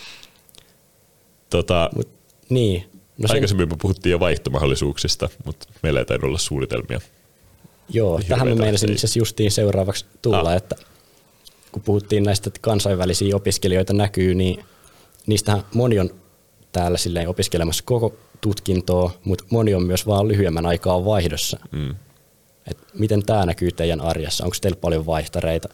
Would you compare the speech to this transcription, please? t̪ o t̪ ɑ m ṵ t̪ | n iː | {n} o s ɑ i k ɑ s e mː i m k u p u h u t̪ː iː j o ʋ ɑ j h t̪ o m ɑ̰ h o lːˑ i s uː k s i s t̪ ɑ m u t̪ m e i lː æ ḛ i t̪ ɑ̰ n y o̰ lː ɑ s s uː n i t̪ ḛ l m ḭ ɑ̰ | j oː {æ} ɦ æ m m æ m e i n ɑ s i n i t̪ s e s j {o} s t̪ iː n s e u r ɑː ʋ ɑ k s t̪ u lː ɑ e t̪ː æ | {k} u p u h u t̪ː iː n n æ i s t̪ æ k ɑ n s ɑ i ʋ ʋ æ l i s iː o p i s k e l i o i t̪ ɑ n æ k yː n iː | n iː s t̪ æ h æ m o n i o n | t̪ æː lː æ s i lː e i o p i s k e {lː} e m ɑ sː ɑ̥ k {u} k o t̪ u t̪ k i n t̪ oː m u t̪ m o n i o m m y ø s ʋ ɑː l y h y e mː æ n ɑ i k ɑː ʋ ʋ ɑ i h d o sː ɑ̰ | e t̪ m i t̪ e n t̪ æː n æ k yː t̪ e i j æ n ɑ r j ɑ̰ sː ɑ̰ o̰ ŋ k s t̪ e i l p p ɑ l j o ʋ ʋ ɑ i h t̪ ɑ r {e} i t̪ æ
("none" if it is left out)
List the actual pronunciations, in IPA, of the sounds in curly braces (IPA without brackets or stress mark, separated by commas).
n, æ, u, k, l, o, e